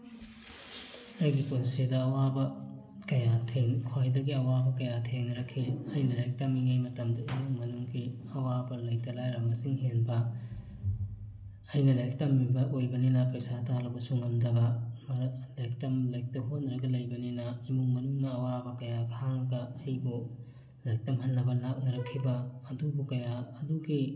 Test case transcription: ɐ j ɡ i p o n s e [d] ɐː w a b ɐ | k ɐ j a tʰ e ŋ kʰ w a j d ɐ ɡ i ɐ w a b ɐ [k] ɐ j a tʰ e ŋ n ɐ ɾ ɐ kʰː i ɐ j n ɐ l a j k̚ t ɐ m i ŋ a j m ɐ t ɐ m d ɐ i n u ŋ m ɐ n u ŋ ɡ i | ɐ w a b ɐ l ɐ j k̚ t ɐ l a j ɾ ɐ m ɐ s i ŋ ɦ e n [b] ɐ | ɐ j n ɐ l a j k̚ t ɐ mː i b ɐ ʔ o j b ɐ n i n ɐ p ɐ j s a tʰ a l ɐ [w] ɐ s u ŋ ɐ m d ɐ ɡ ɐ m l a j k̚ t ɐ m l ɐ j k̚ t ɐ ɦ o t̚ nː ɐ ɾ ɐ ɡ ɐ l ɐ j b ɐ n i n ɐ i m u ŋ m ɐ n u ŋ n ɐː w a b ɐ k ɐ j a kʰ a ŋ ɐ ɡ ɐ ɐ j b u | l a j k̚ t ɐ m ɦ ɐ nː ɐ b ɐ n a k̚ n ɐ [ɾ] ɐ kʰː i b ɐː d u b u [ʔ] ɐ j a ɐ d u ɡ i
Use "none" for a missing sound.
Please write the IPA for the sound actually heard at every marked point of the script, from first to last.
d, k, b, b, ɾ, k

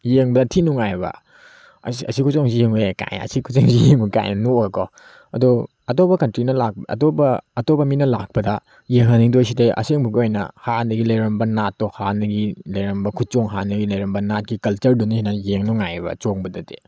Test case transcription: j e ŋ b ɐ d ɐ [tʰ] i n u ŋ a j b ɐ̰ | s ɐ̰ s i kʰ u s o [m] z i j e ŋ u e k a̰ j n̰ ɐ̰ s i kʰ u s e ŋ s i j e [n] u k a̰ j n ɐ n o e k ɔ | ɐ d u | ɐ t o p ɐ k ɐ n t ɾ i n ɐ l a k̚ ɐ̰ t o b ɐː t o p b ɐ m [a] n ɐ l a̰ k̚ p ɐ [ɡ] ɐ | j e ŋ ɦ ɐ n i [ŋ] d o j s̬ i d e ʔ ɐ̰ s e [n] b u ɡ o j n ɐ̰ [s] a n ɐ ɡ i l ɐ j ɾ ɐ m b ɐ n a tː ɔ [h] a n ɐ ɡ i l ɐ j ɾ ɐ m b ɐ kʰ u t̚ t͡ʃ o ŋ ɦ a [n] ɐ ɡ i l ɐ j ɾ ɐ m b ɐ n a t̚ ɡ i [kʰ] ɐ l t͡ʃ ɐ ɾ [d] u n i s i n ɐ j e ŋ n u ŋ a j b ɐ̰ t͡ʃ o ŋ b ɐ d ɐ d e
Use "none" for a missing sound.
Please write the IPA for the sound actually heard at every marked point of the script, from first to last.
tʰ, ŋ, ŋ, i, d, ŋ, ŋ, h, h, n, k, d

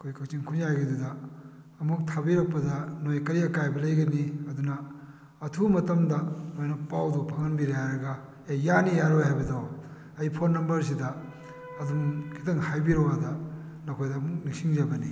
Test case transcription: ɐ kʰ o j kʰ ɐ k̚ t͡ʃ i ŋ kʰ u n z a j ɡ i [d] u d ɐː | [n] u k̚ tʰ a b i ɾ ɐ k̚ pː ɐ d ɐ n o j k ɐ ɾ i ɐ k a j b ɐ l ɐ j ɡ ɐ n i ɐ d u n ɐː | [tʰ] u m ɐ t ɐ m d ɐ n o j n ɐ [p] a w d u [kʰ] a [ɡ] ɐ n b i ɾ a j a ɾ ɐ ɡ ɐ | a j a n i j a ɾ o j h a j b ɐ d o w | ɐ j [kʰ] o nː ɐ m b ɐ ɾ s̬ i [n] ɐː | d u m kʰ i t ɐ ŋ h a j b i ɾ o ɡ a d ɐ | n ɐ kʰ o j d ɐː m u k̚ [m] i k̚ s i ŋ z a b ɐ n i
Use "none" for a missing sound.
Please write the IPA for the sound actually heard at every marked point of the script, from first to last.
d, m, tʰ, p, pʰ, ŋ, pʰ, d, n

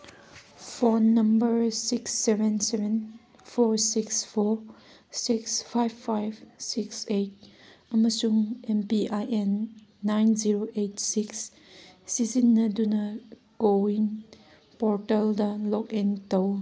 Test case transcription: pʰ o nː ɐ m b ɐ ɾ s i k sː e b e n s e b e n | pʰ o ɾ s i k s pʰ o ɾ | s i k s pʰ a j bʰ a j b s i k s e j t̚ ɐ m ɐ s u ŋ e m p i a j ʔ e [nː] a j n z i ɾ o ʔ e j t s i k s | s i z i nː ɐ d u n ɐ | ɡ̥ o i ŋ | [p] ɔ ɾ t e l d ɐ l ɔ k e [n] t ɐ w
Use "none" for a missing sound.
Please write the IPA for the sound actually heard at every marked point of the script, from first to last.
nː, p, n

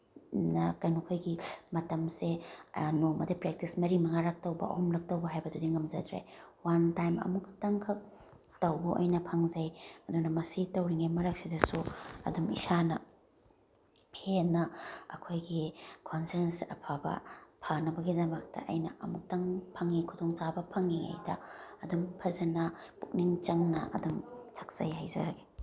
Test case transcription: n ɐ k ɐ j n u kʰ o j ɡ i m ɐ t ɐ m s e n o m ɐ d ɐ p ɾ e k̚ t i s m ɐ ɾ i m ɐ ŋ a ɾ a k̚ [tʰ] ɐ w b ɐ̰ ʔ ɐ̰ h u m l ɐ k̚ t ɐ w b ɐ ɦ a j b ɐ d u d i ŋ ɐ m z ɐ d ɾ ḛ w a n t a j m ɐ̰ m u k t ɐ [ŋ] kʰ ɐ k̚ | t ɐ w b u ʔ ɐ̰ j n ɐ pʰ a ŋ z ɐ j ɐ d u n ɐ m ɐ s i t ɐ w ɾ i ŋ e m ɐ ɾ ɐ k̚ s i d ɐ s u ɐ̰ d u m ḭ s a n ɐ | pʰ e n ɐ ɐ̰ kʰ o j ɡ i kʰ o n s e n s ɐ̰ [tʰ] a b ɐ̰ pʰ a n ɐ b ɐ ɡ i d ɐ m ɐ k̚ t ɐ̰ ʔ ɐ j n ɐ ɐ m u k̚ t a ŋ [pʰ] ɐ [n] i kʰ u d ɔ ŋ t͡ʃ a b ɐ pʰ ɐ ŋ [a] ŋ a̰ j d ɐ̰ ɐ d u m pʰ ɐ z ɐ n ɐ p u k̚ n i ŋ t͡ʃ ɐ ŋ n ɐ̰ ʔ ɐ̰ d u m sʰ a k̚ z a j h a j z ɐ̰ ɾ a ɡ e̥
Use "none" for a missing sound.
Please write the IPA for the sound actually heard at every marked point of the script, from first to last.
t, ŋ, pʰ, pʰ, ŋ, i

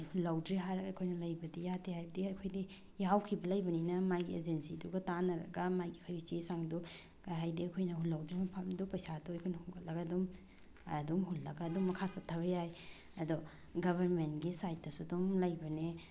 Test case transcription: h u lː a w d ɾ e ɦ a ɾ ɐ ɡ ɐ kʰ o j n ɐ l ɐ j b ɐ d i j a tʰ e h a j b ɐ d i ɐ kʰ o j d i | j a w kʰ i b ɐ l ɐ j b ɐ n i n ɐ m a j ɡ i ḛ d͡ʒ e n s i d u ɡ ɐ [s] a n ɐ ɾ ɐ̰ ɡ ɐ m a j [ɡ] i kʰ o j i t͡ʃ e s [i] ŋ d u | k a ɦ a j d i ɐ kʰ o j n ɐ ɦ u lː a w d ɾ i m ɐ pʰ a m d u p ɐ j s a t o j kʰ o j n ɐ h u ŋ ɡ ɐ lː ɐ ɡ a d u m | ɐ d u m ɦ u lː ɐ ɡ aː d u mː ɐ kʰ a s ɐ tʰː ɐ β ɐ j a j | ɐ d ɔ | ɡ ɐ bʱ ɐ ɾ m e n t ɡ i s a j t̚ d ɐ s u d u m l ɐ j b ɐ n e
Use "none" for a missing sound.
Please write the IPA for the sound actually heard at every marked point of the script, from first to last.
t, ɡ, a

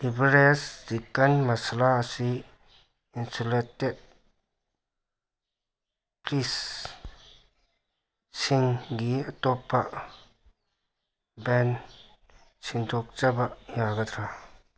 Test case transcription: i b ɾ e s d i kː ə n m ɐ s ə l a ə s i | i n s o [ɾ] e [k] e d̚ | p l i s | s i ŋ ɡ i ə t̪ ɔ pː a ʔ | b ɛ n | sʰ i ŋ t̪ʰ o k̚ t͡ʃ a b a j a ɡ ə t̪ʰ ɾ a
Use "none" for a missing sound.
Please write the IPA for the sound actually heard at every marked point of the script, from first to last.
l, t

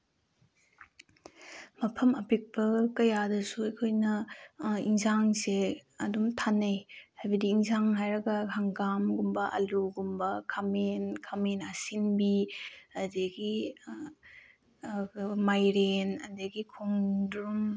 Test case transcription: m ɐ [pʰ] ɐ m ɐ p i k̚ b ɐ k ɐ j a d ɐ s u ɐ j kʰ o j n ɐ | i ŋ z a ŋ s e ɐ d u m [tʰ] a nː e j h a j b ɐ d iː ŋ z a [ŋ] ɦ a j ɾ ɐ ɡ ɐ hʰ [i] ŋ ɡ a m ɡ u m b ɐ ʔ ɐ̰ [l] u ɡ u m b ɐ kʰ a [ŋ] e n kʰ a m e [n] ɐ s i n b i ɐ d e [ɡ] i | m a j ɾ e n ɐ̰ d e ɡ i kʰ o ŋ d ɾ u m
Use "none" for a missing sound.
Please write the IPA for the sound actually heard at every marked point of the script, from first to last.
pʰ, tʰ, ŋ, a, l, m, n, ɡ

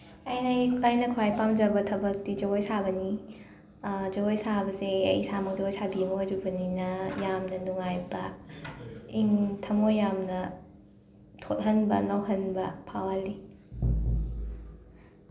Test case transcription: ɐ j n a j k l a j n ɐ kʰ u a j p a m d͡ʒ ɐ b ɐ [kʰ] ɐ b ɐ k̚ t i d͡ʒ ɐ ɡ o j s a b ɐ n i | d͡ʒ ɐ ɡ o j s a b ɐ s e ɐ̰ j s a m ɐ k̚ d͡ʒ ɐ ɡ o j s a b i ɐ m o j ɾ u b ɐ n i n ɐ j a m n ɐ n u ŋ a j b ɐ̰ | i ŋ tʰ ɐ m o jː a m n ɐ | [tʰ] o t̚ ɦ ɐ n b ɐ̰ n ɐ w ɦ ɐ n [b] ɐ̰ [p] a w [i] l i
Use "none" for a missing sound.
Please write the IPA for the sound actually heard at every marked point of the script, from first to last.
tʰ, tʰ, b, pʰ, a

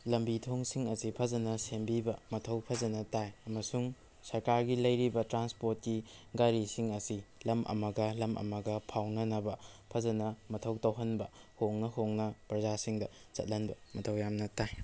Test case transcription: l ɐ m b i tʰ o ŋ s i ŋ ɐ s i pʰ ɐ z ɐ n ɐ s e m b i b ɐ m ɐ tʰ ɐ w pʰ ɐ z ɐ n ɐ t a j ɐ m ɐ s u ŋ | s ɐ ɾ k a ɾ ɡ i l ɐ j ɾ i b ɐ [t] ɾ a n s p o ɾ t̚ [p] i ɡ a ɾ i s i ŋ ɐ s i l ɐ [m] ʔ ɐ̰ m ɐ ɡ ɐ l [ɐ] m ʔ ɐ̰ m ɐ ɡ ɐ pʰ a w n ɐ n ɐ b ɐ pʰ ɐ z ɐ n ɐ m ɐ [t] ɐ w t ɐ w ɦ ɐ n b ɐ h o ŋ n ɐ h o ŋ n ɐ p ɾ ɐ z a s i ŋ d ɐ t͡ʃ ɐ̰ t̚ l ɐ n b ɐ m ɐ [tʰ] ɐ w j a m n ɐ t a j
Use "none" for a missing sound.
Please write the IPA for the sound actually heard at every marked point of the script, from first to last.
t, k, m, ɐ, tʰ, tʰ

